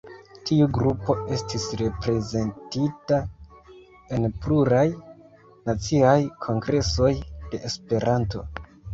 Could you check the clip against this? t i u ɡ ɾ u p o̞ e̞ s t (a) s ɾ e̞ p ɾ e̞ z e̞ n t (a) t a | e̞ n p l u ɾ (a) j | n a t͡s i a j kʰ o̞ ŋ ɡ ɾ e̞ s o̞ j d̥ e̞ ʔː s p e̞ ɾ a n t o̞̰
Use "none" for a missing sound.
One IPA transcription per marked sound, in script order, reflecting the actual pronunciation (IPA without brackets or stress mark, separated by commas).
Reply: i, i, a